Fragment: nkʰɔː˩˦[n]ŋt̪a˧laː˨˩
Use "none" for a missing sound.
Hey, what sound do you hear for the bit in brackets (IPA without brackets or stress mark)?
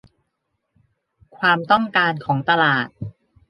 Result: none